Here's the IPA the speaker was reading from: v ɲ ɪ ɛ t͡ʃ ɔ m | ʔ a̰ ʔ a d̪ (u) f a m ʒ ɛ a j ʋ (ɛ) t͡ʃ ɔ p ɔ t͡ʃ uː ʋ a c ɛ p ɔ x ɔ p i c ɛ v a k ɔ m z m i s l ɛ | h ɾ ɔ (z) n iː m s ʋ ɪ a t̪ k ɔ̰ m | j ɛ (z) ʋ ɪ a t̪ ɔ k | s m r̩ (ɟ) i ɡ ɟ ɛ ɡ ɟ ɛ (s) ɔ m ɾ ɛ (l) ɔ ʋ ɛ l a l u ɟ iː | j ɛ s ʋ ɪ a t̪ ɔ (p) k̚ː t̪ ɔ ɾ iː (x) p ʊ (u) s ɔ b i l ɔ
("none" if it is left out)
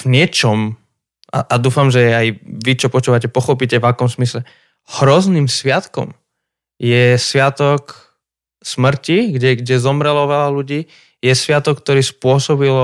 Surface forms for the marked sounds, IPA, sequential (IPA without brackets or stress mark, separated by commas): uː, i, z, s, c, z, l, k, s, ɔ